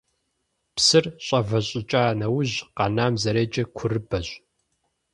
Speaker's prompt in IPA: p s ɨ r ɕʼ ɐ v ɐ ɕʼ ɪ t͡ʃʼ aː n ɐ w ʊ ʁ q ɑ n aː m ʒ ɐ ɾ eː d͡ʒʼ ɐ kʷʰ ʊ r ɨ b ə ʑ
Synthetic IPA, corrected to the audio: p s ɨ r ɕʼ ɐ v ɐ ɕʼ ɪ t͡ʃʼ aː n ɐ w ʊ ʑ q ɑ n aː m z ɐ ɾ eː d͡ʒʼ ɐ kʷʰ ʊ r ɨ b ɐ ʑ